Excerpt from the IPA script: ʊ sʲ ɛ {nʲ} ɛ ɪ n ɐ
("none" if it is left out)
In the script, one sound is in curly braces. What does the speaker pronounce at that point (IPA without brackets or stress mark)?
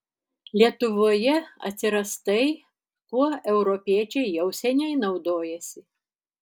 nʲ